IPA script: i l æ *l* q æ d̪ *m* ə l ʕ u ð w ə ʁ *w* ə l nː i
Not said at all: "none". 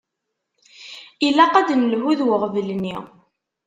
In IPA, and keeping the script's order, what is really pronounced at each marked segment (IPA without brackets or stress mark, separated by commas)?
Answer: none, n, v